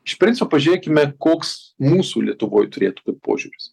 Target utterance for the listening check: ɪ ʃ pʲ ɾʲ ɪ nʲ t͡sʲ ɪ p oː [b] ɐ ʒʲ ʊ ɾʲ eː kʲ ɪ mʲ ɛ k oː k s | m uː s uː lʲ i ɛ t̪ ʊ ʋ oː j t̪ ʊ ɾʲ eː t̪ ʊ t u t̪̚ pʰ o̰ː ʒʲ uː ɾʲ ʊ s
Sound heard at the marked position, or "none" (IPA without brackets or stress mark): p